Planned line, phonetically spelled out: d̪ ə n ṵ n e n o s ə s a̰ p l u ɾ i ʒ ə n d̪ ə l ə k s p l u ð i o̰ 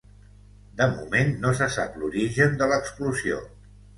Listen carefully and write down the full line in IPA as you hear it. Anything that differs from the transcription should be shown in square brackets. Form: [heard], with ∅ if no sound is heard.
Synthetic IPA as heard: d̪ ə [m] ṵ [m] e [nː] o s ə s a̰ p l u ɾ i ʒ ə n d̪ ə l ə k s p l u [z] i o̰